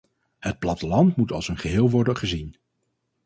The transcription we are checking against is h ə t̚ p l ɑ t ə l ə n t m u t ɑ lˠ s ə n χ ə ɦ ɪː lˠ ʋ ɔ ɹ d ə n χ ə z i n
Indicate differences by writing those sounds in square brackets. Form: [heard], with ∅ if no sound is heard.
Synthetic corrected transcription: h ə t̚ p l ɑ t ə l [ɑ] n t m u t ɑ lˠ s ə n χ ə ɦ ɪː lˠ ʋ ɔ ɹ d ə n χ ə z i n